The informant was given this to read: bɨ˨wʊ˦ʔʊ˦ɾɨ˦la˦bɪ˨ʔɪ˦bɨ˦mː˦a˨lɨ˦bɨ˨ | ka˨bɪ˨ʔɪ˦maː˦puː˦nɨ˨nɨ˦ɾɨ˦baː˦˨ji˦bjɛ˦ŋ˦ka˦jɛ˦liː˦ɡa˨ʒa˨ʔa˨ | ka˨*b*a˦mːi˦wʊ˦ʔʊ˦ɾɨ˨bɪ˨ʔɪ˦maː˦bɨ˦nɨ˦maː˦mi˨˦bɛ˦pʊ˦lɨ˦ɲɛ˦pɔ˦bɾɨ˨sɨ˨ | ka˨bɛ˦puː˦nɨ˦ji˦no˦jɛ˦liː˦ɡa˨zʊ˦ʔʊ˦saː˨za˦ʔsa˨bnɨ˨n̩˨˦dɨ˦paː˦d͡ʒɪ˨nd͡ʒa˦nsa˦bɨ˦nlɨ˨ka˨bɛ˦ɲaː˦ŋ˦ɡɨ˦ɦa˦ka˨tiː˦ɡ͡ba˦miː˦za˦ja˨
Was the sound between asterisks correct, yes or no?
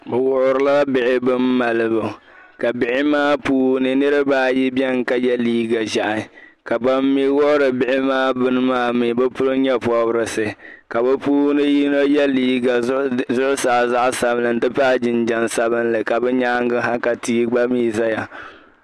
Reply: yes